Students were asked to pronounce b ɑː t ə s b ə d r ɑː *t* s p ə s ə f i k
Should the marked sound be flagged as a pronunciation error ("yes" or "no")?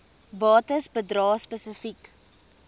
yes